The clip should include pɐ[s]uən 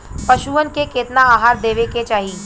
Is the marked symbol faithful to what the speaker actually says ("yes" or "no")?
no